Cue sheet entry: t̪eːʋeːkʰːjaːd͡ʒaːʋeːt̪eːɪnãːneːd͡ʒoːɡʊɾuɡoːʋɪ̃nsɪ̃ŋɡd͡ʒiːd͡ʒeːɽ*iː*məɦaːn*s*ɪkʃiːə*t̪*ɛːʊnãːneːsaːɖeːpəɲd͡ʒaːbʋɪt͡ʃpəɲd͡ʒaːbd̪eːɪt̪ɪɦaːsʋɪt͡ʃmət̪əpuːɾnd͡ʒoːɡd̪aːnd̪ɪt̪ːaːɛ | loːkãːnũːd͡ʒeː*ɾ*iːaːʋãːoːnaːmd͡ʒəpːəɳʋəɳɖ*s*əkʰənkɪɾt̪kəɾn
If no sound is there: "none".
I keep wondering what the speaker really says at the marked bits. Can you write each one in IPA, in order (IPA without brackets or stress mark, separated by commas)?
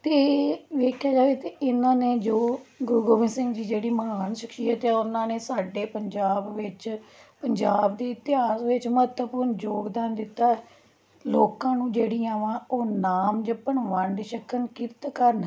iː, ʃ, t̪, ɽ, ʃ